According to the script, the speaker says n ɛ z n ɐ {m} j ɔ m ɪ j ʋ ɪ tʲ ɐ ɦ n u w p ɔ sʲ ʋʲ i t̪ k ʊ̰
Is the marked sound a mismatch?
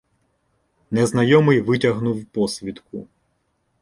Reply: yes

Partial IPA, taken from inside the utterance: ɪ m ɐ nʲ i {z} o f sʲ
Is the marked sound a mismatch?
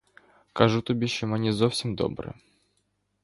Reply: no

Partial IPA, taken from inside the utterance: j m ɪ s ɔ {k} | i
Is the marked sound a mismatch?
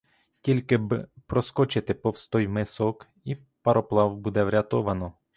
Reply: no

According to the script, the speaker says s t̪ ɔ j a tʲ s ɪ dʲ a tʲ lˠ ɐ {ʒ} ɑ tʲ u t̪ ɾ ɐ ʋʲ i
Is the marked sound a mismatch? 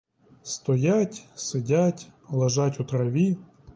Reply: no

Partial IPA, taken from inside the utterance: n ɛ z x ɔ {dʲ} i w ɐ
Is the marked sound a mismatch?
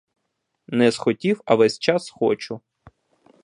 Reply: yes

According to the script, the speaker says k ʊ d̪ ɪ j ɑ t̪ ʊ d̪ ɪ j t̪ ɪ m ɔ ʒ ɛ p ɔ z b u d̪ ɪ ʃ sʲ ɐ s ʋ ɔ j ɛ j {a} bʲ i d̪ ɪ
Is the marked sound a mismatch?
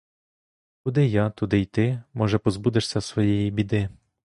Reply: yes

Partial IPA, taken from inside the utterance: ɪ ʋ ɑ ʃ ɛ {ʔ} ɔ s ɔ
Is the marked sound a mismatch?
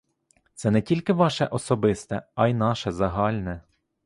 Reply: no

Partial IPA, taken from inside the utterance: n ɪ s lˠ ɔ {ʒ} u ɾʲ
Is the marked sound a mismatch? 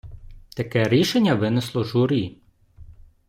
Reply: no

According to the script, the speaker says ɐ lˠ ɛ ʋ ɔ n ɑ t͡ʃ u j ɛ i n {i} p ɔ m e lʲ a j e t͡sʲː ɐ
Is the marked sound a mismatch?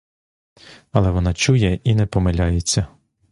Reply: yes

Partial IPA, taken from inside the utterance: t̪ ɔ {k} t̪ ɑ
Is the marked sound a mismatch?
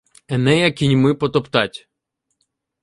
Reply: yes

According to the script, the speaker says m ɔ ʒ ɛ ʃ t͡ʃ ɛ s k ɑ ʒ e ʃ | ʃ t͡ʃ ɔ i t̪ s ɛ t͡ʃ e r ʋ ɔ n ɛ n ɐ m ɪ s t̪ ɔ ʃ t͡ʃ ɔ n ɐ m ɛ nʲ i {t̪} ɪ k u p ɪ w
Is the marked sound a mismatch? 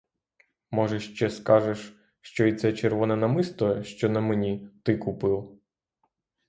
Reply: no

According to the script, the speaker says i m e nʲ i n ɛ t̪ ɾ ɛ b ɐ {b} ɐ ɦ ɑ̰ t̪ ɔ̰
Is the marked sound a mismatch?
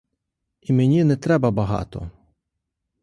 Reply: no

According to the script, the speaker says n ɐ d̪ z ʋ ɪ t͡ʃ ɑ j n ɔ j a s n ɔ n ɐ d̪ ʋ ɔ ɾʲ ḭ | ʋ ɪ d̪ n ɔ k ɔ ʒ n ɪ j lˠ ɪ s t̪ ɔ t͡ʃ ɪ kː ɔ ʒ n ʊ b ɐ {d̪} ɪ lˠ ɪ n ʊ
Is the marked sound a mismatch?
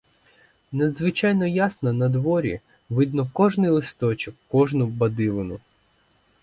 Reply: no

